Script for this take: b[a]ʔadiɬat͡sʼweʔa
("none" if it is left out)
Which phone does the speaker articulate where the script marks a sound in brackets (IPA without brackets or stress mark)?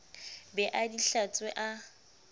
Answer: ɛ